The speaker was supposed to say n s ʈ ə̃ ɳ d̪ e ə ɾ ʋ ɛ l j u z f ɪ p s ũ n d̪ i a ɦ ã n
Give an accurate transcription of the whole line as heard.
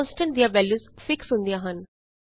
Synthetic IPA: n s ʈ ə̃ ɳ d̪ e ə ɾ ʋ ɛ l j u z f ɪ k s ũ n d̪ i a ɦ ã n